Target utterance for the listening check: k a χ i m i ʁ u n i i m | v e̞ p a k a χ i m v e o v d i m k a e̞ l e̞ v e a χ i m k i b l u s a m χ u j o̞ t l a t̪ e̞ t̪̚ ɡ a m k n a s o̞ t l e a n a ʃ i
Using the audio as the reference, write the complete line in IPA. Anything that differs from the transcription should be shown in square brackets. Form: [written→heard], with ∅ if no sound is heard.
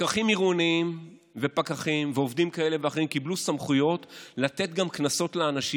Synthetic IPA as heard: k a χ i m i ʁ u n i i m | v e̞ p a k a χ i m v e o v d i m k a e̞ l e̞ v e a χ i m k i b l u s a m χ u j o̞ t l a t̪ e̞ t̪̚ ɡ a m k n a s o̞ t l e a n a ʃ i